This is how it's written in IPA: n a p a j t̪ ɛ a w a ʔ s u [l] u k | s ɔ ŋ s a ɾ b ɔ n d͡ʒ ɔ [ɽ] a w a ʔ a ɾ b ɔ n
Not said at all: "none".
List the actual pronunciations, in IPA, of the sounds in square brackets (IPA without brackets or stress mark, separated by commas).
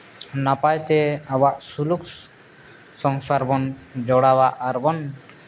l, ɽ